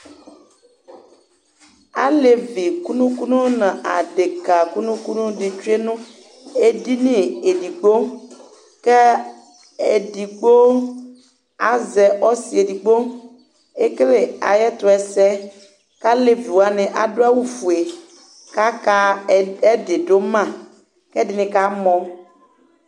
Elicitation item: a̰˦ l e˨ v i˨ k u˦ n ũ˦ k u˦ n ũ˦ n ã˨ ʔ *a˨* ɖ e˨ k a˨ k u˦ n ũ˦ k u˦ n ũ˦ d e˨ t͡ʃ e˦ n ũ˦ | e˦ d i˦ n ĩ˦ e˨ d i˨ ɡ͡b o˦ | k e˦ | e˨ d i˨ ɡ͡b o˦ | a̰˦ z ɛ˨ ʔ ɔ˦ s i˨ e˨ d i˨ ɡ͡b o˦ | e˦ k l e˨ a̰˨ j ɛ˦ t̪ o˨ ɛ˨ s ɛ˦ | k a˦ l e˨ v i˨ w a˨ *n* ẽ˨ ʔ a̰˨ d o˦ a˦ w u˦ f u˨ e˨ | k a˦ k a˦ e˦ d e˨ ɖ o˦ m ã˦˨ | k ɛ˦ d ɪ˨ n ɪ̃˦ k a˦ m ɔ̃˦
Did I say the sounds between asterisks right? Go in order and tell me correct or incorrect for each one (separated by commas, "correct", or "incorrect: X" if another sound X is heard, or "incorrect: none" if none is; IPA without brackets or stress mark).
correct, correct